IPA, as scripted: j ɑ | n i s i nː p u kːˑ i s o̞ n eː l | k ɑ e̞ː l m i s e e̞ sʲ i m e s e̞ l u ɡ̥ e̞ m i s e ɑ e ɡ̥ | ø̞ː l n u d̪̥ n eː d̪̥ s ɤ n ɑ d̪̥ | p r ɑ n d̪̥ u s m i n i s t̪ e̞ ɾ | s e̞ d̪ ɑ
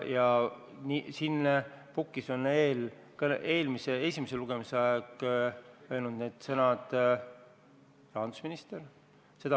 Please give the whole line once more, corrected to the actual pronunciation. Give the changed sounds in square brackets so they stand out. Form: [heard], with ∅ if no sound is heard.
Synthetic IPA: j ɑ | n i s i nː p u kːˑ i s o̞ n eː l | k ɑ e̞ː l m i s e e̞ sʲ i m e s e̞ l u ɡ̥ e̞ m i s e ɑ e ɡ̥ | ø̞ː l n u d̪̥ n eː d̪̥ s ɤ n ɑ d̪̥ | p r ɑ n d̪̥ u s m i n i s t̪ e̞ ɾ | s e̞ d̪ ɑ